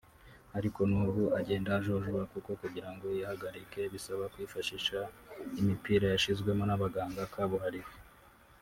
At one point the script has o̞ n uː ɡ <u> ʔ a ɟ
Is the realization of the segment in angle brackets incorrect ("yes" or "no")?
no